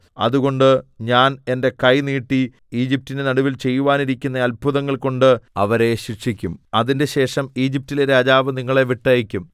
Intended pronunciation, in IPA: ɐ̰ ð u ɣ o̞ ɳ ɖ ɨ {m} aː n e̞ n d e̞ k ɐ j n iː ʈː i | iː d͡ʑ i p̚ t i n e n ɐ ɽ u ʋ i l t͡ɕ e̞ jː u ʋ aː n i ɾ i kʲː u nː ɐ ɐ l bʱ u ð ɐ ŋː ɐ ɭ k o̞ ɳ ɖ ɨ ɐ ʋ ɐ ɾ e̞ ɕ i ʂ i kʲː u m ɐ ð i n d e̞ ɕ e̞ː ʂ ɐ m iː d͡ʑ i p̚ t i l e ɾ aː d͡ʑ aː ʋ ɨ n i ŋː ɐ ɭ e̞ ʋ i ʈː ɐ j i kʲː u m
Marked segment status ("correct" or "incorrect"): incorrect